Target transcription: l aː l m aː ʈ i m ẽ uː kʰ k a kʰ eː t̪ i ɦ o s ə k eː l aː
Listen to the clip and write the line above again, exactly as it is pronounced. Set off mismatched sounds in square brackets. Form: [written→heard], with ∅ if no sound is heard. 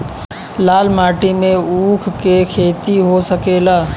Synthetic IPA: l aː l m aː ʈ i m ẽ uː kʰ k [a→e] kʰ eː t̪ i ɦ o s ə k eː l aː